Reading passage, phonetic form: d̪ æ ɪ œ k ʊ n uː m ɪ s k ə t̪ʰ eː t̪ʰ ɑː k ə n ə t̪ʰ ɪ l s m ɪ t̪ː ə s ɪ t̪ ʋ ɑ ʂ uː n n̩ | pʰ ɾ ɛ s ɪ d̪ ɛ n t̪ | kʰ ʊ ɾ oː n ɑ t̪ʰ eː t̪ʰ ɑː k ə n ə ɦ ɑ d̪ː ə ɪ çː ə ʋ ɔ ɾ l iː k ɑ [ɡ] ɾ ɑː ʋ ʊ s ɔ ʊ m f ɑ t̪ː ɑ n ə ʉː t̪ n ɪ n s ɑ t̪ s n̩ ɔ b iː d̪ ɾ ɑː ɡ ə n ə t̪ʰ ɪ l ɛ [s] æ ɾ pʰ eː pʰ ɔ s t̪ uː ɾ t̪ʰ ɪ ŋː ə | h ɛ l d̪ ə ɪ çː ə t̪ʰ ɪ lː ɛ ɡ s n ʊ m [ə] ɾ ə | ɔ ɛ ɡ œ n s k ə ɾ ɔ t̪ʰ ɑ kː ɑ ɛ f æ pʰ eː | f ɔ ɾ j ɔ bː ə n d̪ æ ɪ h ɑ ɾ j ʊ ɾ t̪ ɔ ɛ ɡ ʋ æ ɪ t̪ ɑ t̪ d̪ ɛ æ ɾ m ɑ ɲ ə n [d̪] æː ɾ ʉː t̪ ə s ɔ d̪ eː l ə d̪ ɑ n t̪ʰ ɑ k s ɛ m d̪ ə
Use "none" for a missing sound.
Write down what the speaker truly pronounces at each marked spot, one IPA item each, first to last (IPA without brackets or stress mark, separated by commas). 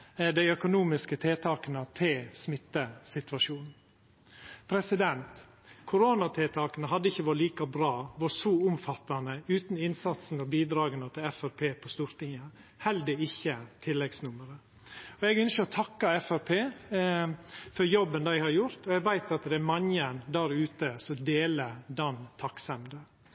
b, f, ə, d̪